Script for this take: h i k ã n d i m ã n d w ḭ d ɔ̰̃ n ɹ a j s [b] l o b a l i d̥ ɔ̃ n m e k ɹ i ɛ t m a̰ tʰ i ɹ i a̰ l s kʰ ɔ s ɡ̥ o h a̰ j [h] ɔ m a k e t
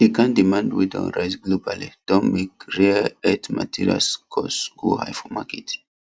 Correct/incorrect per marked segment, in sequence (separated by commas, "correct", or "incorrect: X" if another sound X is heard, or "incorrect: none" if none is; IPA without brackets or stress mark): incorrect: ɡ, incorrect: f